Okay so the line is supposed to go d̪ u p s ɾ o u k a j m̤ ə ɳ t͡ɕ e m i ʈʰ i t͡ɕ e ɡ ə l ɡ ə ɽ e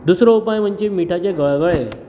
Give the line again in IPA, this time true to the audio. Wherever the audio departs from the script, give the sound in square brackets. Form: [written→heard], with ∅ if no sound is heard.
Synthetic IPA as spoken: d̪ u [p→∅] s ɾ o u [k→p] a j m̤ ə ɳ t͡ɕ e m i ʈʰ [i→a] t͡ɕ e ɡ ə [l→ɭ] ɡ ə [ɽ→ɭ] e